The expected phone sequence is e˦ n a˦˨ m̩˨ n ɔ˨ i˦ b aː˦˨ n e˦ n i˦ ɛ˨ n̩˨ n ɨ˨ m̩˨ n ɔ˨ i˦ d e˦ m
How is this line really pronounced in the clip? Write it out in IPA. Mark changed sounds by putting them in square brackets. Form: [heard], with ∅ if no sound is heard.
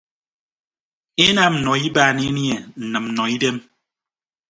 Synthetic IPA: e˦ n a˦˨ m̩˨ n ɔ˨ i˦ b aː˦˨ n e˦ n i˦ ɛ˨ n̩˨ n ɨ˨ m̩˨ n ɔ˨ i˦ d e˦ m